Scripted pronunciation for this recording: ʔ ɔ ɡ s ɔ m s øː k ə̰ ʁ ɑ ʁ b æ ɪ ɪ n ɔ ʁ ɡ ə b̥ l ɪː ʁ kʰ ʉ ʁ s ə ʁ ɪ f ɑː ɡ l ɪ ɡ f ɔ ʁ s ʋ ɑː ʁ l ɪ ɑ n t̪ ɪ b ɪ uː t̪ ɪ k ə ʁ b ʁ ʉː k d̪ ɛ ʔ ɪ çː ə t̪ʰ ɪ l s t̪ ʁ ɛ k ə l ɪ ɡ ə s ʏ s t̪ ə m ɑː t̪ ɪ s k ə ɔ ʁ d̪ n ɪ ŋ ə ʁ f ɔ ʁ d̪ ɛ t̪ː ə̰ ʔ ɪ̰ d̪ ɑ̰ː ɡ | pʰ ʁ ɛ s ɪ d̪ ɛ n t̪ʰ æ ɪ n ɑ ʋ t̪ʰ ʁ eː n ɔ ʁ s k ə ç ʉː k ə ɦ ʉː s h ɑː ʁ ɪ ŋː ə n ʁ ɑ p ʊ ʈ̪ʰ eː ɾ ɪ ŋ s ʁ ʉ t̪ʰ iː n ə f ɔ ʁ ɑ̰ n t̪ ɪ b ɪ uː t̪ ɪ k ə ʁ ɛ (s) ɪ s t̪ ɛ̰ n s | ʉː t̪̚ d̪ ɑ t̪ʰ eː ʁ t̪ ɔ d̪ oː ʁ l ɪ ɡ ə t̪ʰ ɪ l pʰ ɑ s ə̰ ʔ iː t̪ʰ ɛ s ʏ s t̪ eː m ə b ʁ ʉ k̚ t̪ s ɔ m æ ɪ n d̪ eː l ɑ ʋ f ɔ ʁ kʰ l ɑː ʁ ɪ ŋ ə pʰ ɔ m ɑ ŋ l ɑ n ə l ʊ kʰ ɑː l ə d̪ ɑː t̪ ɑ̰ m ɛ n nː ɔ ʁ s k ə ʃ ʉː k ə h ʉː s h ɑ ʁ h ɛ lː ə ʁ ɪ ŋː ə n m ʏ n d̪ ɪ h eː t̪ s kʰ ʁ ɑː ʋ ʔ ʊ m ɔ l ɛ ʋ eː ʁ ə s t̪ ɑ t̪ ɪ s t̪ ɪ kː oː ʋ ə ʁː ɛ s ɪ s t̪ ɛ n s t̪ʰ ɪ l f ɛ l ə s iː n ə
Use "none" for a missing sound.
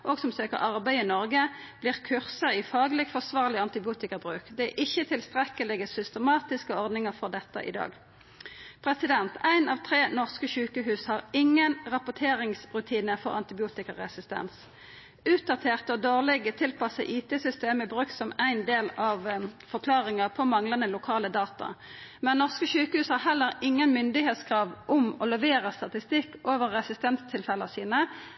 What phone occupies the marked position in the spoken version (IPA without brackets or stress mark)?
s